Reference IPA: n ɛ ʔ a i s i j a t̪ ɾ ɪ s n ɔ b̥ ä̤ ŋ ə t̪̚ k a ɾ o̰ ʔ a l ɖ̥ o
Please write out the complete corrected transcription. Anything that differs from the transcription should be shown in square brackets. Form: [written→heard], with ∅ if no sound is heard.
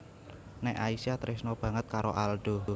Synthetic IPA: n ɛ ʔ a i s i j a t̪ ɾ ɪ s n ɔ b̥ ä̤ ŋ ə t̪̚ k a ɾ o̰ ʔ a l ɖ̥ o